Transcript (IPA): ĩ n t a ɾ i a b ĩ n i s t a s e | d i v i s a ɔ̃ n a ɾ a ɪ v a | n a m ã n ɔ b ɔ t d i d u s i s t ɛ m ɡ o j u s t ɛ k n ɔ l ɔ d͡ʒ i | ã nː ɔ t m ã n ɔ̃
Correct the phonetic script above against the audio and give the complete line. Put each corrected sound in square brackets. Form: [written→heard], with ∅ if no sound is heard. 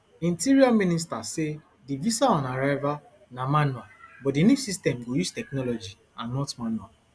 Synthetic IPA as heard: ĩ n t [a→i] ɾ i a [b→m] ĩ n i s t a s e | d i v i s a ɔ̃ n a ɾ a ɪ v a | n a m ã n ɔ b ɔ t d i [d→n] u s i s t ɛ m ɡ o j u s t ɛ k n ɔ l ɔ d͡ʒ i | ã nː ɔ t m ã n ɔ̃